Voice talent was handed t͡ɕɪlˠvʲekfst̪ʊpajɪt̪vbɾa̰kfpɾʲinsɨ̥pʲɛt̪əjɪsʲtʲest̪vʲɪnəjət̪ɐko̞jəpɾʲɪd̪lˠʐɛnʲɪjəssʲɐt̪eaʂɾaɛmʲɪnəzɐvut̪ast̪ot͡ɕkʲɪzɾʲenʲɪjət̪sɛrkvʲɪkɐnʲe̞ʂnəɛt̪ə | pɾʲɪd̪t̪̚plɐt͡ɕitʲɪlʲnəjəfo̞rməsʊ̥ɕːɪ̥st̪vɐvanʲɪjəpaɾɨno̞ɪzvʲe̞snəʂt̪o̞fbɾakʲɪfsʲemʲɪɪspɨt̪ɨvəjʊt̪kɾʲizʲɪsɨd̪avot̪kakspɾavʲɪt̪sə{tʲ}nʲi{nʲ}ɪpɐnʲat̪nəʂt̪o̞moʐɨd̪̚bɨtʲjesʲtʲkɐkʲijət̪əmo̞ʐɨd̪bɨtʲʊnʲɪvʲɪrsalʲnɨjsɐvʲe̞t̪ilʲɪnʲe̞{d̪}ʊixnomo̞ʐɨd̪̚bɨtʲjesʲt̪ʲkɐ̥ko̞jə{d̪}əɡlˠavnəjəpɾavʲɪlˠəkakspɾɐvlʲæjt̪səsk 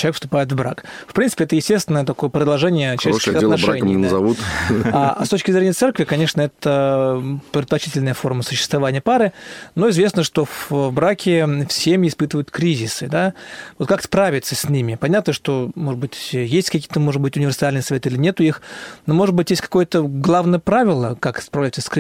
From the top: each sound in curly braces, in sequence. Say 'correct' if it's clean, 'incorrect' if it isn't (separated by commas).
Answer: incorrect, incorrect, incorrect, incorrect